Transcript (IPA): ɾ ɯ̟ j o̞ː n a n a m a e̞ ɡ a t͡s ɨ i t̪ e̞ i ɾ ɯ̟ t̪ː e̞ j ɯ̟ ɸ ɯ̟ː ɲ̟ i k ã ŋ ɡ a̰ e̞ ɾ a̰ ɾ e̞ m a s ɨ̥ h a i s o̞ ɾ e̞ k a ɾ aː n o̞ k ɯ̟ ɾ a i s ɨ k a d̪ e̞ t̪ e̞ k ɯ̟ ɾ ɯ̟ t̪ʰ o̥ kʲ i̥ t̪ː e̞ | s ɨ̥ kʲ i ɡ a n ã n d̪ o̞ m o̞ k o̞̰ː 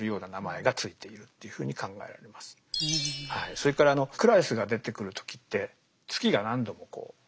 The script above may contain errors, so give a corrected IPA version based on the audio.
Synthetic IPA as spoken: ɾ ɯ̟ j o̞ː n a n a m a e̞ ɡ a t͡s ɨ i t̪ e̞ i ɾ ɯ̟ t̪ː e̞ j ɯ̟ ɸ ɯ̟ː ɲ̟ i k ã ŋ ɡ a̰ e̞ ɾ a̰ ɾ e̞ m a s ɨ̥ h a i s o̞ ɾ e̞ k a ɾ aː n o̞ k ɯ̟ ɾ a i s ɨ ɡ a d̪ e̞ t̪ e̞ k ɯ̟ ɾ ɯ̟ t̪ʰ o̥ kʲ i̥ t̪ː e̞ | t͡s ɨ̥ kʲ i ɡ a n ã n d̪ o̞ m o̞ k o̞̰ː